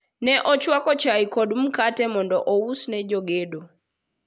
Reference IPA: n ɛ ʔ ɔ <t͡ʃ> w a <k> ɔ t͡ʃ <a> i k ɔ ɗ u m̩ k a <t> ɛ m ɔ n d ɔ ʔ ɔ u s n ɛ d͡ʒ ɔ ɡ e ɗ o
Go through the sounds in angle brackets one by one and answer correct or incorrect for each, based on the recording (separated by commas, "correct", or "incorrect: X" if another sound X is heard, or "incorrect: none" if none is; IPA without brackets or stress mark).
correct, correct, correct, correct